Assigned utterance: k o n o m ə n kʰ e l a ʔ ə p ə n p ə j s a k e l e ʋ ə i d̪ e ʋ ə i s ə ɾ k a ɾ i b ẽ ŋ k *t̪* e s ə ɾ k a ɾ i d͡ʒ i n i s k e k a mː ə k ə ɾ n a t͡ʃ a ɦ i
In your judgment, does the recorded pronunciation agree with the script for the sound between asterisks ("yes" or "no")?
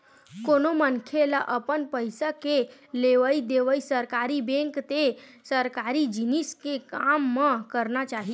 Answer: yes